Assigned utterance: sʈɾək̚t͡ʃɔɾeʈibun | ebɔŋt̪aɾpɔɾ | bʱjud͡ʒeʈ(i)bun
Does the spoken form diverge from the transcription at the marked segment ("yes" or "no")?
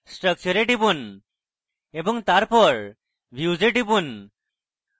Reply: no